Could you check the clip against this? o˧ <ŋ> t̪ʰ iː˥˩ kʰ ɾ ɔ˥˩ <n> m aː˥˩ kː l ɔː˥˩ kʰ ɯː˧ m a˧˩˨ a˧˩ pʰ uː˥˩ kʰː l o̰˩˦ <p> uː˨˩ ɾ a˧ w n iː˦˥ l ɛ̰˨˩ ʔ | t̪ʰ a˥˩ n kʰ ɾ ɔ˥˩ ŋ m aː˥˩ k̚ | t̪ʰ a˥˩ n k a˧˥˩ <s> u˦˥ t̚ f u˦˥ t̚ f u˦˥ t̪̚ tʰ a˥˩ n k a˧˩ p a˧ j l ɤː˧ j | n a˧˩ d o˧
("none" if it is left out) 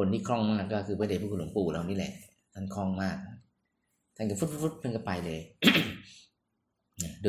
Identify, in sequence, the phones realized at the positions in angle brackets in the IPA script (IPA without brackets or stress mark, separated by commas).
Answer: n, ŋ, p, f